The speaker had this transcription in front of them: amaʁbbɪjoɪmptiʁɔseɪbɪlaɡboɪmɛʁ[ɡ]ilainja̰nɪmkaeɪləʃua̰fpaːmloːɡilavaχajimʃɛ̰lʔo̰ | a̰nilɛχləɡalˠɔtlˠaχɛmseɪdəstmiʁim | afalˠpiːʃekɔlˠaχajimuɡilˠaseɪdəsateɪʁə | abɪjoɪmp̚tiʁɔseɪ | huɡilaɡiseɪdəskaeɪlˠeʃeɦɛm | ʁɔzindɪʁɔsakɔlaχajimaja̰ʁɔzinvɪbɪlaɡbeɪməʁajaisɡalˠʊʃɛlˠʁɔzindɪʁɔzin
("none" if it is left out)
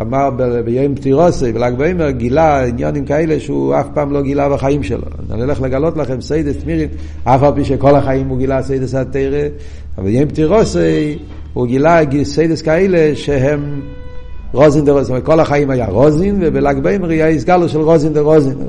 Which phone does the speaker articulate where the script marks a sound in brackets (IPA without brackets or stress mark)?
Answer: ɡ